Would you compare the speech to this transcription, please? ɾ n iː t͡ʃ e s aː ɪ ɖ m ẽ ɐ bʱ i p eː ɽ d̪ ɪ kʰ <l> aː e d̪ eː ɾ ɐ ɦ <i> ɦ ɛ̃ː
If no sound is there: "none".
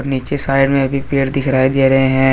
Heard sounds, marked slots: ɾ, e

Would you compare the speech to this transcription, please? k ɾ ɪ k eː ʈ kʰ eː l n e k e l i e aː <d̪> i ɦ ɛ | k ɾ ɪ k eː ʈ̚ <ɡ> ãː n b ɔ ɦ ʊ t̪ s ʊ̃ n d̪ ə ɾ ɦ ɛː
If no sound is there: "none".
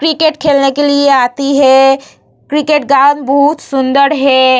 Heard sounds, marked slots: t̪, ɡ

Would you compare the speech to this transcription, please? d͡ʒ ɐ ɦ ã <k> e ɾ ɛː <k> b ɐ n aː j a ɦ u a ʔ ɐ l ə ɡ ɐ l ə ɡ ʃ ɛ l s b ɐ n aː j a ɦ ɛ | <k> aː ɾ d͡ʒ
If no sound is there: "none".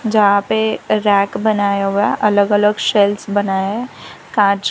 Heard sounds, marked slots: p, k, k

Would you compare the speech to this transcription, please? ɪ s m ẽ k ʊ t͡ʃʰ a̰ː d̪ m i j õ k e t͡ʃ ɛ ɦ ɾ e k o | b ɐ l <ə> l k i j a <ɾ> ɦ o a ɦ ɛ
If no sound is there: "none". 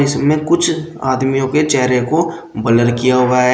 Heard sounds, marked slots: ə, none

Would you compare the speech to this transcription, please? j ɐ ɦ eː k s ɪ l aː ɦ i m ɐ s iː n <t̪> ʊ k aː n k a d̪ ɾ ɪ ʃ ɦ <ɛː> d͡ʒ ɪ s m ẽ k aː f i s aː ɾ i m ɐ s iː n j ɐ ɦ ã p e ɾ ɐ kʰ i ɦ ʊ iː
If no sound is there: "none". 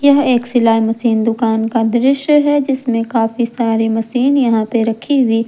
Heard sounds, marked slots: d̪, ɛ

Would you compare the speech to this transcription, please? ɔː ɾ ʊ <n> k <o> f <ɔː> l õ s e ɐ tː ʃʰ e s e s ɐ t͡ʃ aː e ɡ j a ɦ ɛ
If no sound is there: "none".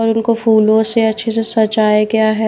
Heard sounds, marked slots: n, o, uː

